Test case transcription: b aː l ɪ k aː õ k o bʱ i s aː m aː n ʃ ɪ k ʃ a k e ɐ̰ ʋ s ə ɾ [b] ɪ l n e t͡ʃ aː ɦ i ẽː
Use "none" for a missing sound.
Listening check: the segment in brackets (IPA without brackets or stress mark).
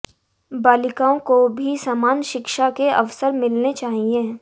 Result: m